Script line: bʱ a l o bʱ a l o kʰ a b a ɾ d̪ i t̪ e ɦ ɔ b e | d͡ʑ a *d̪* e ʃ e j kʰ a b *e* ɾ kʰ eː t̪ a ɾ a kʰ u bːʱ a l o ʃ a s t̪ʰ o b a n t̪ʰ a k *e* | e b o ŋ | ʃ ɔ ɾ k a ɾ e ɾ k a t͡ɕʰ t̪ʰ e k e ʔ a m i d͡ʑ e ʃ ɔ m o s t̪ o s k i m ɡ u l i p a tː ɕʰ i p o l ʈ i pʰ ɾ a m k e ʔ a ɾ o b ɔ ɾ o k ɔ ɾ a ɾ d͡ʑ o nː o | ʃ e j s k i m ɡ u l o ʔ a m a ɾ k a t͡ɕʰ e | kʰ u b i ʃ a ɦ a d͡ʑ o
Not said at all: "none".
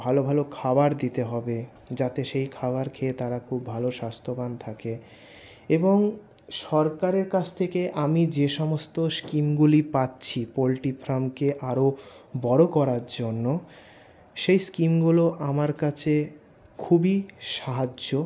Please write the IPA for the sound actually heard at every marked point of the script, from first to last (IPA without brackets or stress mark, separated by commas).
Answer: t̪, a, e